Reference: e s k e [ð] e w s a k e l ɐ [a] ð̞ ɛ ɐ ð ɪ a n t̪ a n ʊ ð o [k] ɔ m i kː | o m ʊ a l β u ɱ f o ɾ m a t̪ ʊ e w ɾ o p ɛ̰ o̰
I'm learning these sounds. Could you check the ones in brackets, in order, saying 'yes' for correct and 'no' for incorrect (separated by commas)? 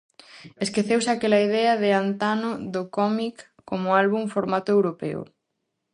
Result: no, no, yes